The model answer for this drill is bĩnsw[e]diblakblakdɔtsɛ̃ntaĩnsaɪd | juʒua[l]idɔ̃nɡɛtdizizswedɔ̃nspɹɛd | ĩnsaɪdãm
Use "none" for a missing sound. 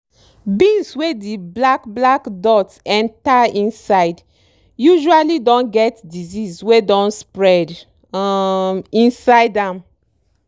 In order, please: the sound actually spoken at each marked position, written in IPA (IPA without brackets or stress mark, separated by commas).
e, l